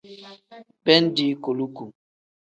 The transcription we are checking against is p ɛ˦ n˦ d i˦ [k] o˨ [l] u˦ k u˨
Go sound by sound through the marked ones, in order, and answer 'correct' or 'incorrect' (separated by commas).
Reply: correct, correct